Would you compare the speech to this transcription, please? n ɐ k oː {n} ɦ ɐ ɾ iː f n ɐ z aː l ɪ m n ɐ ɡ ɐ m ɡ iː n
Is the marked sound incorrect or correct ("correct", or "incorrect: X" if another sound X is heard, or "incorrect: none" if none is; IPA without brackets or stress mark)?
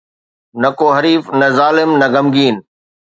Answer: incorrect: none